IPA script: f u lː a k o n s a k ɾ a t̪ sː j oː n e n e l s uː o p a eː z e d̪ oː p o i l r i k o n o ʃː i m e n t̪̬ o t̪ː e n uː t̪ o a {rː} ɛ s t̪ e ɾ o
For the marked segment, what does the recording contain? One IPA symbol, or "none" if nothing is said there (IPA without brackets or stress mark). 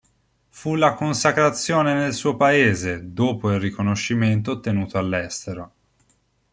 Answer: lː